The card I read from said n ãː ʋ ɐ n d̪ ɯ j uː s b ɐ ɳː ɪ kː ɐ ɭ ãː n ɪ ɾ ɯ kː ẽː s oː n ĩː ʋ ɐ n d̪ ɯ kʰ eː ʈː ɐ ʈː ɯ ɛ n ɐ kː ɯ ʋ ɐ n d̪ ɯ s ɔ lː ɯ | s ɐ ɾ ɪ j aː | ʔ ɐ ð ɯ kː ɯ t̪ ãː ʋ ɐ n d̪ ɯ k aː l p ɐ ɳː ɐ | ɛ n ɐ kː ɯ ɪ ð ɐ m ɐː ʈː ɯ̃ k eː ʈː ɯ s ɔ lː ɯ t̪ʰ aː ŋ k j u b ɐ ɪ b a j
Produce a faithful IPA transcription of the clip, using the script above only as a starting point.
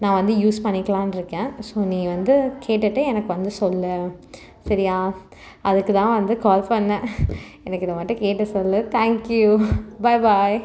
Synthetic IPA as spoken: n ãː ʋ ɐ n d̪ ɯ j uː s p ɐ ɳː ɪ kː ɐ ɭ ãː n ɪ ɾ ɯ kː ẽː s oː n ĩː ʋ ɐ n d̪ ɯ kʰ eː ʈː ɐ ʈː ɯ ɛ n ɐ kː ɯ ʋ ɐ n d̪ ɯ s ɔ lː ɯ | s ɐ ɾ ɪ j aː | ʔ ɐ ð ɯ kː ɯ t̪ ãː ʋ ɐ n d̪ ɯ k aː l p ɐ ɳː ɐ | ɛ n ɐ kː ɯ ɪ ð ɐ m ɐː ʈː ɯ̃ k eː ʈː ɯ s ɔ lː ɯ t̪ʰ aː ŋ k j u b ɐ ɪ b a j